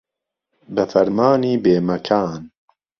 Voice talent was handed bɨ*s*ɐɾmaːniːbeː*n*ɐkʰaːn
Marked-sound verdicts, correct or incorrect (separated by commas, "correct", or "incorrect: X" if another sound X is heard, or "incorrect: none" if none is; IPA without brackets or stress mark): incorrect: f, incorrect: m